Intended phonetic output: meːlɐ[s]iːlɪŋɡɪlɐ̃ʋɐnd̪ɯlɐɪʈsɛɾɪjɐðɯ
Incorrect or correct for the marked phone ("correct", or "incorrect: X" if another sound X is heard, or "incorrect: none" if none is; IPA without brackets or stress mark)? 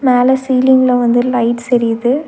correct